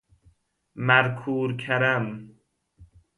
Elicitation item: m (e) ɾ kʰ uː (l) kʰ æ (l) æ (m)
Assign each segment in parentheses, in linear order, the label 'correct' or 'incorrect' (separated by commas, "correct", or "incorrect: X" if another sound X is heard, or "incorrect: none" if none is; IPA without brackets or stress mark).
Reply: incorrect: æ, incorrect: ɾ, incorrect: ɾ, correct